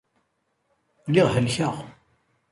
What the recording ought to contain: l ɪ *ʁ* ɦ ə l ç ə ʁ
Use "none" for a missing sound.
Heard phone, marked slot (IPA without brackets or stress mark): ʁ